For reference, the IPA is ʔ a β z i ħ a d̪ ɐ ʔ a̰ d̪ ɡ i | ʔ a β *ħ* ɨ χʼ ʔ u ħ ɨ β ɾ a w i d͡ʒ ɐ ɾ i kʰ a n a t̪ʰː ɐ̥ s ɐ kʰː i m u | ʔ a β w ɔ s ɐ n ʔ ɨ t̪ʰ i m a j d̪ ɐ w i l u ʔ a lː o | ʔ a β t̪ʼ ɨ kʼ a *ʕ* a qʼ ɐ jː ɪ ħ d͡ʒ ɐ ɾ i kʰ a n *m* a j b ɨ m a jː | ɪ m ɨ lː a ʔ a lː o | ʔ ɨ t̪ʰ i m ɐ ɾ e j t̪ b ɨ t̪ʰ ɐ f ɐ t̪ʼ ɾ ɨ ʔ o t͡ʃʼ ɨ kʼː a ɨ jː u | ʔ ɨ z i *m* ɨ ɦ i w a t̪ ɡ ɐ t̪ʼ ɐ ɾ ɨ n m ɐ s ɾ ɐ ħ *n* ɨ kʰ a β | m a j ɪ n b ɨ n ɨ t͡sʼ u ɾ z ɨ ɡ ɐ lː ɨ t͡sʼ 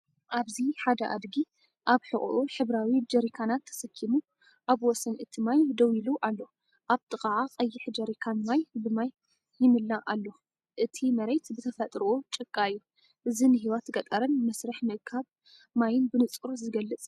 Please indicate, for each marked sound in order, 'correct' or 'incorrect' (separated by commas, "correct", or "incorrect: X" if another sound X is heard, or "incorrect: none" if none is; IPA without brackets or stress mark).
correct, correct, correct, incorrect: n, incorrect: m